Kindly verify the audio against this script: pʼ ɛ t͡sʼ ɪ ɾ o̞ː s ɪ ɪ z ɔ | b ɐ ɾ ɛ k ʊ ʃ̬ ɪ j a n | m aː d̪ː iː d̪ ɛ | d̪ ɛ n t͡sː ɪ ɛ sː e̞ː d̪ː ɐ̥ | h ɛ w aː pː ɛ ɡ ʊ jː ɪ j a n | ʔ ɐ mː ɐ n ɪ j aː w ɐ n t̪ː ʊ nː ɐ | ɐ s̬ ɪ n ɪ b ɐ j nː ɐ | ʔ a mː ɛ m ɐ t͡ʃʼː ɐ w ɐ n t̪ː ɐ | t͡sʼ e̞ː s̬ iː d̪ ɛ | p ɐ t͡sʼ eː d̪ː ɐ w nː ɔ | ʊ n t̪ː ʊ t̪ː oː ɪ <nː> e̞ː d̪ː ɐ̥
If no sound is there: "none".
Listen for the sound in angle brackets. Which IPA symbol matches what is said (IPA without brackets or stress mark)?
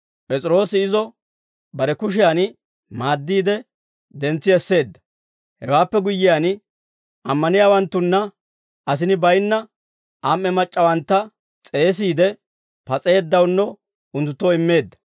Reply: mː